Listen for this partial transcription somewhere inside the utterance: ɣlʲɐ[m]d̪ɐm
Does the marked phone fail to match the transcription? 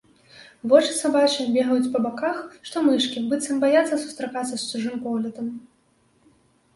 yes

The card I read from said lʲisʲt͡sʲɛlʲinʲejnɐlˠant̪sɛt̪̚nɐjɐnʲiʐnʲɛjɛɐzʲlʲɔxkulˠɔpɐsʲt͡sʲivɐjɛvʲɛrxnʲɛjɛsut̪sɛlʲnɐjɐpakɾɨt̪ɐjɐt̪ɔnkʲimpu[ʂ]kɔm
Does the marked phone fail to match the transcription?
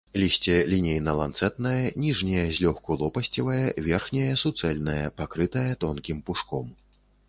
no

